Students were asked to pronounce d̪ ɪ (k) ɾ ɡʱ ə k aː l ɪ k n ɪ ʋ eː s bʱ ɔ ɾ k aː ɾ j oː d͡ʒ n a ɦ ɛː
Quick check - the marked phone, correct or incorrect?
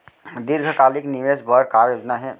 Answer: incorrect